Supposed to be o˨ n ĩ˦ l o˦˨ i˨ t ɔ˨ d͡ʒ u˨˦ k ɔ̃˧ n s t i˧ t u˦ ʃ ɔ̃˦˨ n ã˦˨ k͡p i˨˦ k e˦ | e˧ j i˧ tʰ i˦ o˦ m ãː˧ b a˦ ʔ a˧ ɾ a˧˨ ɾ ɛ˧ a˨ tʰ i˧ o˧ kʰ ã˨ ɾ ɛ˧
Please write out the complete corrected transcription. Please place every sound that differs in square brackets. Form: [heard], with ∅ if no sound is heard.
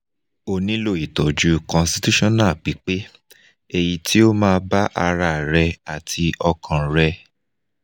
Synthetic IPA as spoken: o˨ n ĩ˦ l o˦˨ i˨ t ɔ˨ d͡ʒ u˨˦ k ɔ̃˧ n s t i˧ t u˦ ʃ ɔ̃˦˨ n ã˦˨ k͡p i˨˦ [k͡p] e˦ | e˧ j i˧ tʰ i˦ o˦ m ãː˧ b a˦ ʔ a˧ ɾ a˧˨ ɾ ɛ˧ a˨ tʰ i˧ [ɔ˧] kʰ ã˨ ɾ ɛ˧